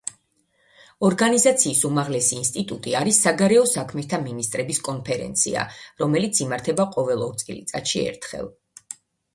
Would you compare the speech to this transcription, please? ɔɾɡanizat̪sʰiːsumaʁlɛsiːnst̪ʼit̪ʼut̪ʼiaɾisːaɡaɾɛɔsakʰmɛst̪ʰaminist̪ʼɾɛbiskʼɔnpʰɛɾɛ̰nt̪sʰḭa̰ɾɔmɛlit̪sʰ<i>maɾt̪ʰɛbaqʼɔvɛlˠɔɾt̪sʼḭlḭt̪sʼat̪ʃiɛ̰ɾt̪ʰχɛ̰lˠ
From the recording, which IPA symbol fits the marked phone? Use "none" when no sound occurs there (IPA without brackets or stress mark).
i